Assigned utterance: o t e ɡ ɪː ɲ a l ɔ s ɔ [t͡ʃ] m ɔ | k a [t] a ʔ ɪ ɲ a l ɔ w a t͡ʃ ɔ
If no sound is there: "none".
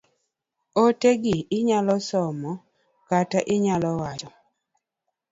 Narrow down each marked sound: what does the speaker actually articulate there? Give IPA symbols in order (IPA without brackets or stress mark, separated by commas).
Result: none, t